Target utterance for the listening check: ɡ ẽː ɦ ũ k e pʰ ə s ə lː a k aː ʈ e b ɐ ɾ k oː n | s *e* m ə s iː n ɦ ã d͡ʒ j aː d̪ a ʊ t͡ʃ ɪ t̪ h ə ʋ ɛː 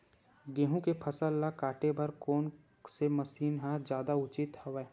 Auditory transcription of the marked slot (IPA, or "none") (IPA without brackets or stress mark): e